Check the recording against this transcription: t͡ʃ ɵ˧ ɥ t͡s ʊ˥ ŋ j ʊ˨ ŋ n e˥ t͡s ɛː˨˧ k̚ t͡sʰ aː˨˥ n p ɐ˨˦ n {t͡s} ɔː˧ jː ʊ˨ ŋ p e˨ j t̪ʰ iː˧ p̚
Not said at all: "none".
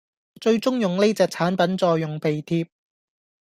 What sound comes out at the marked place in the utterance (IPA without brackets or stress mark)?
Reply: t͡s